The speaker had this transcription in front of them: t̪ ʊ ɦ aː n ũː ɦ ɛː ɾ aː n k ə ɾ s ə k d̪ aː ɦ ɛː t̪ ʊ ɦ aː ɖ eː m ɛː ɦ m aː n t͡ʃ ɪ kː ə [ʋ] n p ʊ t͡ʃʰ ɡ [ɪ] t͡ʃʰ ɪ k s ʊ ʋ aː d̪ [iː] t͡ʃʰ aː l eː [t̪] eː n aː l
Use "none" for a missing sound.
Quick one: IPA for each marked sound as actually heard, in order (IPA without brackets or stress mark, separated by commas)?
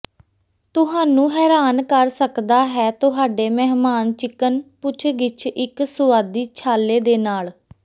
none, ɪ, iː, d̪